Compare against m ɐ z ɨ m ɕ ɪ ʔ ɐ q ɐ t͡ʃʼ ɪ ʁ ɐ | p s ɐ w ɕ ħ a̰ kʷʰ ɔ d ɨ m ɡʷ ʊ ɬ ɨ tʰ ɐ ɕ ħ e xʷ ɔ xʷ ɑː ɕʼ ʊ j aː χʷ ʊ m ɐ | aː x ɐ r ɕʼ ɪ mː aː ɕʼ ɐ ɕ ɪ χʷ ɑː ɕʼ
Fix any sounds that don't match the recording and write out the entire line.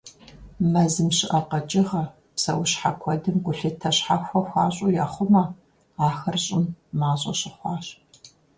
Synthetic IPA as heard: m ɐ z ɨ m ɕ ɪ ʔ ɐ q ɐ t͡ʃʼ ɪ ʁ ɐ | p s ɐ w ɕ ħ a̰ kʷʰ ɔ d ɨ m ɡʷ ʊ ɬ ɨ tʰ ɐ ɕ ħ a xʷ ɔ xʷ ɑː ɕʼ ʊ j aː χʷ ʊ m ɐ | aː x ɐ r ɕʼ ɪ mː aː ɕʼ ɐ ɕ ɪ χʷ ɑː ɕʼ